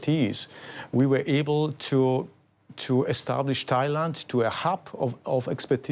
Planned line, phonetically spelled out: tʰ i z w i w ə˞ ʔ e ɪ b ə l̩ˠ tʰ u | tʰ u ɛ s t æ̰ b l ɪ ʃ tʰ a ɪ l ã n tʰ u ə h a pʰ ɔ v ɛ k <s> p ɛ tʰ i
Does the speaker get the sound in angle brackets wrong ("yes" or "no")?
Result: no